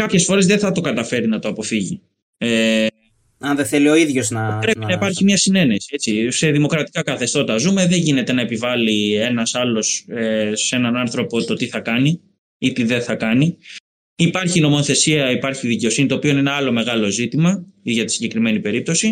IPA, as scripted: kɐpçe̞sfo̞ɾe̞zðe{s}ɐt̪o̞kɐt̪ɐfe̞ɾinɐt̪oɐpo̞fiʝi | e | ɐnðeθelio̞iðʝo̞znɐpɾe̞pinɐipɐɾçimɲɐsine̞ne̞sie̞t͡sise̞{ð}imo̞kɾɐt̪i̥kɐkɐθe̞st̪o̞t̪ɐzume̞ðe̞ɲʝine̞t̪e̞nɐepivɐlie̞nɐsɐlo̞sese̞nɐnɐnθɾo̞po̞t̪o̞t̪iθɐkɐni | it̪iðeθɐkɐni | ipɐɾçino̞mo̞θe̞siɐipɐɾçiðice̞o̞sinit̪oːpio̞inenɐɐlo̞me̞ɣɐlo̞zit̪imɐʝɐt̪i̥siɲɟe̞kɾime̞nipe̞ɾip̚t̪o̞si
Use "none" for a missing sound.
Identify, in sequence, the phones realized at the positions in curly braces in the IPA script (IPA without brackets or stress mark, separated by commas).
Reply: θ, ð